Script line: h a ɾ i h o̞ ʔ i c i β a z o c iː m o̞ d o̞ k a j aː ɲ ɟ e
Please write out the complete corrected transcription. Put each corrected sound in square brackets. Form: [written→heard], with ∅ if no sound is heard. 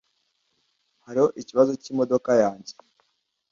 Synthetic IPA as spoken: h a ɾ i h o̞ ʔ i c i β a z o c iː m o̞ d o̞ k a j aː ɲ ɟ e